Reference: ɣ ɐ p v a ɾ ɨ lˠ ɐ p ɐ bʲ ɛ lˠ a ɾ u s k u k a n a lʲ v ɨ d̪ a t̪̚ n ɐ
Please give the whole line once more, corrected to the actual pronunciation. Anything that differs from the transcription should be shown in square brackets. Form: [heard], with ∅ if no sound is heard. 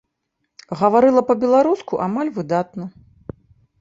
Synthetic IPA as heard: ɣ ɐ [∅] v a ɾ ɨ lˠ ɐ p ɐ bʲ ɛ lˠ a ɾ u s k u [ʔ] a [m] a lʲ v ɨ d̪ a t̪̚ n ɐ